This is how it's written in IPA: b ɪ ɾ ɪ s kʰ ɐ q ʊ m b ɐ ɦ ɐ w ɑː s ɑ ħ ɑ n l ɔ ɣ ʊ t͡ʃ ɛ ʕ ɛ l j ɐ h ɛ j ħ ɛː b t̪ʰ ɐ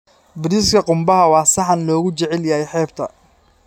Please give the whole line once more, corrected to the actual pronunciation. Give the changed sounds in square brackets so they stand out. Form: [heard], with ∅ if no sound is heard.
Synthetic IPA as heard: b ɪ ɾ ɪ s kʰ ɐ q ʊ m b ɐ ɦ ɐ w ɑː s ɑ ħ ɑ n l [ɔː] ɣ ʊ t͡ʃ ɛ ʕ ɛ l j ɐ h ɛ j ħ ɛː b t̪ʰ ɐ